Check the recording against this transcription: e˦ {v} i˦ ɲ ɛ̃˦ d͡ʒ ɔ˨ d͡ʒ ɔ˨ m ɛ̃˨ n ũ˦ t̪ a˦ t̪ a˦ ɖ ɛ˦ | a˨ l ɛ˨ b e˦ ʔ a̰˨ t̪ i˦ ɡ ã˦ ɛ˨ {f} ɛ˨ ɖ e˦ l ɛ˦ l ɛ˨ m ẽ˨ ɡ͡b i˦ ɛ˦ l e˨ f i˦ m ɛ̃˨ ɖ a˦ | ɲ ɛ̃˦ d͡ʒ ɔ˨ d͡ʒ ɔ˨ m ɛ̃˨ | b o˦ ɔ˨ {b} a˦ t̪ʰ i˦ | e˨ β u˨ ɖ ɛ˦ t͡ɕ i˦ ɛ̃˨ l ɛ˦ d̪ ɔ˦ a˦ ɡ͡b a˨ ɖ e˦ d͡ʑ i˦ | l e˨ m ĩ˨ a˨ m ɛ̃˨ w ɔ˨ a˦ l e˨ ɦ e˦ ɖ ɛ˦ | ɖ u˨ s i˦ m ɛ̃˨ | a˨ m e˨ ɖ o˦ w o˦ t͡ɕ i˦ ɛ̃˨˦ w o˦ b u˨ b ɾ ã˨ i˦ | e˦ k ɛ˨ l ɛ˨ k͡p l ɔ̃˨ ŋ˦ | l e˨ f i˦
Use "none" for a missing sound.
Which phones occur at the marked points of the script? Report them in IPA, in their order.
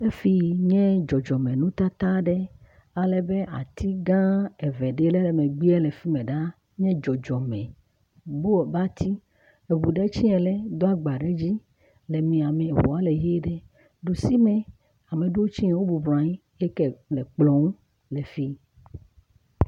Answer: f, v, b

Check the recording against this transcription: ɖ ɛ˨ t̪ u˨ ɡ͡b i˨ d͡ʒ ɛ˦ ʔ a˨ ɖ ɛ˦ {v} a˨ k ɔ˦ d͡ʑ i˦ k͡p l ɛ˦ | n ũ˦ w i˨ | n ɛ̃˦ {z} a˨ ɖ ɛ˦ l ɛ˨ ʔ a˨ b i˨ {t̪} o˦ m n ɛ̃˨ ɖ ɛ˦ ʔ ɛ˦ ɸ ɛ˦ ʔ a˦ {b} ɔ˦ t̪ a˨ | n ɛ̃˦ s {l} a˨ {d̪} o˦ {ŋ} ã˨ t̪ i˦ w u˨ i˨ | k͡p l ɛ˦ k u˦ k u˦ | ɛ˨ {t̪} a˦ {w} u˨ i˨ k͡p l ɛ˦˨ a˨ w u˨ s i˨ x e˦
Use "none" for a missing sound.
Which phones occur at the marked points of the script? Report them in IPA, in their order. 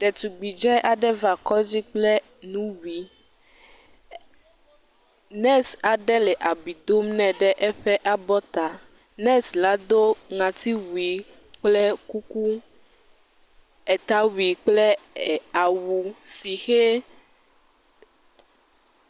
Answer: v, s, d̪, b, l, d̪, ŋ, t̪, w

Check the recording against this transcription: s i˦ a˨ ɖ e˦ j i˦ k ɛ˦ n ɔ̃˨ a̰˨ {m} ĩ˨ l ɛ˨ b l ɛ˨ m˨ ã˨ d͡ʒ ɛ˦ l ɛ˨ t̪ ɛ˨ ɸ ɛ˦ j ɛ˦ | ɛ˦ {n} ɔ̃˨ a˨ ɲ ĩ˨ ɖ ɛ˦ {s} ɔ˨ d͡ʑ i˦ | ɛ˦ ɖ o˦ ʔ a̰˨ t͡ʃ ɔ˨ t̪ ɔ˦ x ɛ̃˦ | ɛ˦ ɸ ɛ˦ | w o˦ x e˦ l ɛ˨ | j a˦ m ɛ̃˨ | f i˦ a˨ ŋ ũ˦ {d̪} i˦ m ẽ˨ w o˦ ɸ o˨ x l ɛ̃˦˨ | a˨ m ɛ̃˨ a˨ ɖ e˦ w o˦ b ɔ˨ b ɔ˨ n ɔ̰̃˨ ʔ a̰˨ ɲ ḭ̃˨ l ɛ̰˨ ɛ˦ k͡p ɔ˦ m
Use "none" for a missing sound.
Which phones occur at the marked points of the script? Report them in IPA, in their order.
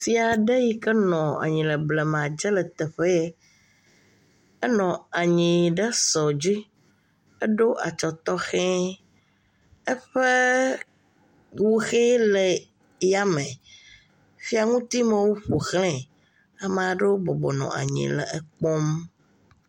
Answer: ɲ, n, s, t̪

